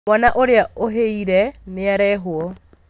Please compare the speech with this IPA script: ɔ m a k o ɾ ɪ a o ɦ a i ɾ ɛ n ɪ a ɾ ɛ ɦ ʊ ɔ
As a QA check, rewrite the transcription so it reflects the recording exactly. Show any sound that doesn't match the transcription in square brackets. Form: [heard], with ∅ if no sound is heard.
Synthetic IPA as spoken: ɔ [n] a [ʔ] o ɾ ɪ a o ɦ [e] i ɾ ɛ n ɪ a ɾ ɛ ɦ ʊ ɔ